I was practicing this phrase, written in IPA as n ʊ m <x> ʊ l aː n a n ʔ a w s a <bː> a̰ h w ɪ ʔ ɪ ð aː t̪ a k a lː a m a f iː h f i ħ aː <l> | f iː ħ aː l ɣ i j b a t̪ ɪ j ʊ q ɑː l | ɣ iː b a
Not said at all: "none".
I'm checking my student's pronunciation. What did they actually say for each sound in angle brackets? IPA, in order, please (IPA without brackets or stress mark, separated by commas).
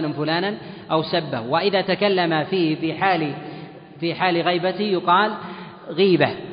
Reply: f, bː, l